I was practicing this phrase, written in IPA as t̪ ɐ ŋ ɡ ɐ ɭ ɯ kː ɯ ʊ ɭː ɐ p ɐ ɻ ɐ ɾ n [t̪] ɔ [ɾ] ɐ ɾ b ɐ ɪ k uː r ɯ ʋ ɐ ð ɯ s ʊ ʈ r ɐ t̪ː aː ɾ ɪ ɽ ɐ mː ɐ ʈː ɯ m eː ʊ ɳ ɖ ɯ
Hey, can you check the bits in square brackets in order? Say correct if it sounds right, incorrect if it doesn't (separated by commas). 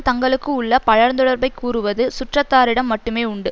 incorrect, incorrect